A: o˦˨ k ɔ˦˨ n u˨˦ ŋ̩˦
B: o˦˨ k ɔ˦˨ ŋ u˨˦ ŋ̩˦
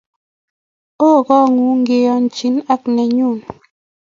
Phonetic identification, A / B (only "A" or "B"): B